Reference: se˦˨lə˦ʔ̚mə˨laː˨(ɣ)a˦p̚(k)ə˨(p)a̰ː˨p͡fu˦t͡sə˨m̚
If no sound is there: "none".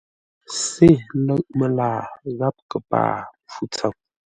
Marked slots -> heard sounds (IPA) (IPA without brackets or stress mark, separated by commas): ɣ, k, p